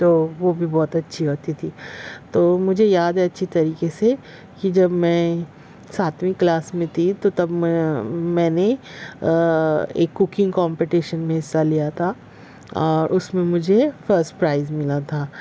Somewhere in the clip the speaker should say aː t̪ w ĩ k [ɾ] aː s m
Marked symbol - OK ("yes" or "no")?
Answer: no